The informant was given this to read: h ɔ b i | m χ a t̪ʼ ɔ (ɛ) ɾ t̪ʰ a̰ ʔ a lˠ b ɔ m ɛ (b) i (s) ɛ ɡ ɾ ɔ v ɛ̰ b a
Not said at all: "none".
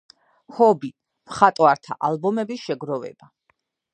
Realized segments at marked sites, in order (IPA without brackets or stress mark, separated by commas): a, b, ʃ